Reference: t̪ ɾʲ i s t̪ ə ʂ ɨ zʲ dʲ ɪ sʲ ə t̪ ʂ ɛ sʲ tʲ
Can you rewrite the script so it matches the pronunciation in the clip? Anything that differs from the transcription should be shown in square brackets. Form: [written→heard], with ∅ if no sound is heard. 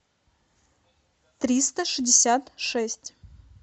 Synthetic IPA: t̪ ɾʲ i s t̪ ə ʂ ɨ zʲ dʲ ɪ sʲ [ə→a] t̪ ʂ ɛ sʲ tʲ